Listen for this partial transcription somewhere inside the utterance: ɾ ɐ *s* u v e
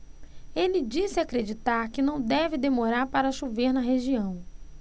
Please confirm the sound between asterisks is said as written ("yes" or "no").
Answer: no